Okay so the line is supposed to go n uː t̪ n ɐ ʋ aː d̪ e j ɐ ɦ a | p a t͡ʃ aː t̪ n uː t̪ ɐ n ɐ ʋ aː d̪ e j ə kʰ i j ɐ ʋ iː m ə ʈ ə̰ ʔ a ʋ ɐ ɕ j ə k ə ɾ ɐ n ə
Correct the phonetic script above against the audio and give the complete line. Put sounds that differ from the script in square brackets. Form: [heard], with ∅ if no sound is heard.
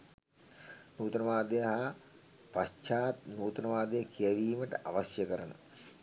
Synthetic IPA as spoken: n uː t̪ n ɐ ʋ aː d̪ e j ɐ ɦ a | p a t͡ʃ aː t̪ n uː t̪ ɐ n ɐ ʋ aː d̪ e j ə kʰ i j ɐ ʋ iː m ə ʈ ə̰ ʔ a ʋ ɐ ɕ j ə k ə ɾ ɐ n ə